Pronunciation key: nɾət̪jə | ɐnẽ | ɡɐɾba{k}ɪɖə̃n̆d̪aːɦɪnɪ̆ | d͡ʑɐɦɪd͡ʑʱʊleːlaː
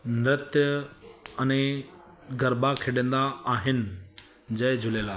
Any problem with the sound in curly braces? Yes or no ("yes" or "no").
yes